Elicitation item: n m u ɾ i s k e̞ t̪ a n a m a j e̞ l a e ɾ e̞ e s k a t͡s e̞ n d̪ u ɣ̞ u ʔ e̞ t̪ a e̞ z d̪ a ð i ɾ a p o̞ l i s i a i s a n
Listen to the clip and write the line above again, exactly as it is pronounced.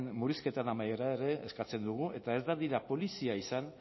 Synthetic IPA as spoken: n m u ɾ i s k e̞ t̪ a n a m a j e̞ ɾ a e ɾ e̞ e s k a t͡s e̞ n d̪ u ɣ̞ u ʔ e̞ t̪ a e̞ z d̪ a ð i ɾ a p o̞ l i s i a i s a n